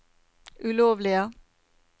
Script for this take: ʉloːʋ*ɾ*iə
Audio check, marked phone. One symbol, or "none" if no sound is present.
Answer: l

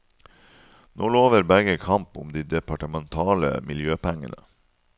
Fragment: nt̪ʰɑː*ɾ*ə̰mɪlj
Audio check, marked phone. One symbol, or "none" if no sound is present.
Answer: l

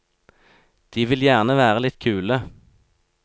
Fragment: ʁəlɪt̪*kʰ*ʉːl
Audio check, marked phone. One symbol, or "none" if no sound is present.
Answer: kʰ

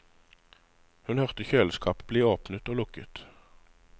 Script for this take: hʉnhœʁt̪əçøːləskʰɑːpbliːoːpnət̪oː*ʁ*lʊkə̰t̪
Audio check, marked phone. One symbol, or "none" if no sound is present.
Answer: none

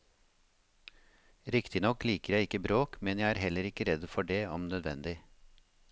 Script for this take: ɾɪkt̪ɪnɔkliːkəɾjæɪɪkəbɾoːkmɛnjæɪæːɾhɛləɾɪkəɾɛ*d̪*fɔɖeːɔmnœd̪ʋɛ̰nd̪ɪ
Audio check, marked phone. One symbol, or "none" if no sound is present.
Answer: d̪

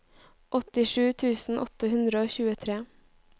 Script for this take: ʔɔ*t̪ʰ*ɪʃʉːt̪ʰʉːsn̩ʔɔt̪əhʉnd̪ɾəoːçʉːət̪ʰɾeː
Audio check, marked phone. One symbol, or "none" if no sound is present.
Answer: t̪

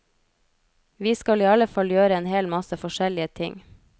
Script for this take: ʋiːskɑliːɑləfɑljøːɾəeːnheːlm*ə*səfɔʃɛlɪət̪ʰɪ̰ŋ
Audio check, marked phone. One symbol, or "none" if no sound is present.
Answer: ɑ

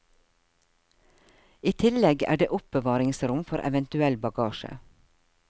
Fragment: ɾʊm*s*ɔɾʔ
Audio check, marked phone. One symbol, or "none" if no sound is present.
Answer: f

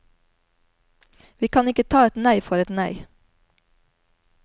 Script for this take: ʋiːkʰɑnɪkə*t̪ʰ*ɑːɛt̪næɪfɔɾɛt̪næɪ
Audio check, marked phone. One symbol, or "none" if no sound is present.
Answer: t̪ʰ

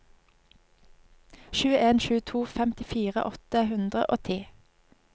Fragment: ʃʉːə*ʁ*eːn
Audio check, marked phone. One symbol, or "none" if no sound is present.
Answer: none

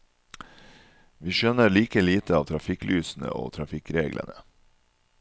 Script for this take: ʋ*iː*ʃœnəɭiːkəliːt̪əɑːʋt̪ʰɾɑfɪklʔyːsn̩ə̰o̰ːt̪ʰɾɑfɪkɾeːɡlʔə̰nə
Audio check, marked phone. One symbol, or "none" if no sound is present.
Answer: iː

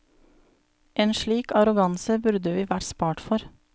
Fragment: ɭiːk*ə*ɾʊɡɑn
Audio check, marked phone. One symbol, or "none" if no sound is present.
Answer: ɑ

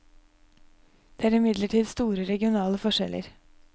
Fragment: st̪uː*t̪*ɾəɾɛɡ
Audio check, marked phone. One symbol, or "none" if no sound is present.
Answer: none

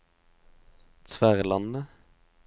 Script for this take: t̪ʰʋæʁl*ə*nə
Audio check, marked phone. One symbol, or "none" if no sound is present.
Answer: ɑ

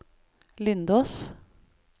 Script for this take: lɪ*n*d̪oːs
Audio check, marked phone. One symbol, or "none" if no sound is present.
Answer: n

